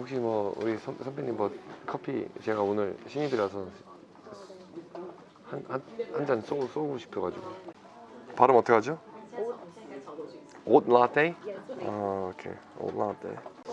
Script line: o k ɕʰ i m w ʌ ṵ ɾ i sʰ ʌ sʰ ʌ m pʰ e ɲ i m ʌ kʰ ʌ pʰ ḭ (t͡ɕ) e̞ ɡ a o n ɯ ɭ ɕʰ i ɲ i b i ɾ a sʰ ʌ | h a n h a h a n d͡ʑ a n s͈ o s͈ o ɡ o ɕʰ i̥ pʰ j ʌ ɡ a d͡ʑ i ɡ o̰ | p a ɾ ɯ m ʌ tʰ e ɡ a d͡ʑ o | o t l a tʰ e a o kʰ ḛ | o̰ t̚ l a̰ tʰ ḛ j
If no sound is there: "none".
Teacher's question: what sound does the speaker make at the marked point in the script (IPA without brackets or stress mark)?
t͡ɕ